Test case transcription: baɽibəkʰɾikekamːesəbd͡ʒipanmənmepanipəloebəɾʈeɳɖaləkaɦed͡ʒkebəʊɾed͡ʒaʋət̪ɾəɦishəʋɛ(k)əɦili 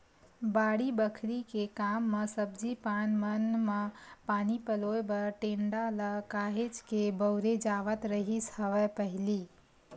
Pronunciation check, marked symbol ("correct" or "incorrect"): incorrect